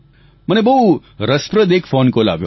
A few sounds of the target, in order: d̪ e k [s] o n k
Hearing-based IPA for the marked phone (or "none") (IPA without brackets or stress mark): f